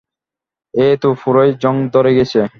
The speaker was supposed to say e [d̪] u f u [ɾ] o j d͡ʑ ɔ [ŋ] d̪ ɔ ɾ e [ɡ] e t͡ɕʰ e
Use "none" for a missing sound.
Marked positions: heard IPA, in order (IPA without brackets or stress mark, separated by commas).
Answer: t̪, ɾ, ŋ, ɡ